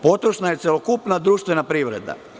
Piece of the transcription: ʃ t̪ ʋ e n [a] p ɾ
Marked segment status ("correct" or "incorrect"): correct